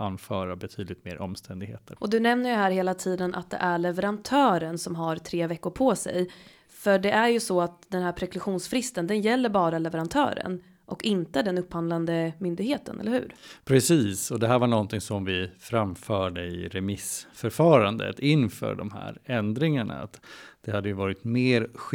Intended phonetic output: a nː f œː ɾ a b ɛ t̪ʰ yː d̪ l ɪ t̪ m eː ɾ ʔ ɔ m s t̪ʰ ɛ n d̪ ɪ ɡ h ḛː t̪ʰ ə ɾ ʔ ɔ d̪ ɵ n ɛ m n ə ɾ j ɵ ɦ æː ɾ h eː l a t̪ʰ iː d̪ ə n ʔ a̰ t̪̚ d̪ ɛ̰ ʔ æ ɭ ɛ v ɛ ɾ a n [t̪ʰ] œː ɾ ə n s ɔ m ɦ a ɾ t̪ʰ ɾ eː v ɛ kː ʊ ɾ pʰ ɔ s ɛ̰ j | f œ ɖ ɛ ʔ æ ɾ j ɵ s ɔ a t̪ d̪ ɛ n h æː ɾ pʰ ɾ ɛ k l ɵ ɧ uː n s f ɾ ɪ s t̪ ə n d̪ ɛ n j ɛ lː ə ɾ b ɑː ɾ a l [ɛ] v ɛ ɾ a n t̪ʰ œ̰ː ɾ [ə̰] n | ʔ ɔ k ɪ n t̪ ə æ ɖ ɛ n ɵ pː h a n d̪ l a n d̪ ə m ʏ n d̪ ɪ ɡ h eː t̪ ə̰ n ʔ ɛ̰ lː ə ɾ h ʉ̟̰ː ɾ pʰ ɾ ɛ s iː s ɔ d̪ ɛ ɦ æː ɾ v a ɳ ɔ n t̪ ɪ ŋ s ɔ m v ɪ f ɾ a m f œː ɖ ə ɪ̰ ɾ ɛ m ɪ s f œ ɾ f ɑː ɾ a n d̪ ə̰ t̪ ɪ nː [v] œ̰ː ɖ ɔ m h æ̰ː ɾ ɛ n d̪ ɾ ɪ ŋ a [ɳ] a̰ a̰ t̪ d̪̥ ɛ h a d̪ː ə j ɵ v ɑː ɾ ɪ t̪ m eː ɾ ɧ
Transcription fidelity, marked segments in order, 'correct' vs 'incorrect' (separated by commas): correct, correct, correct, incorrect, correct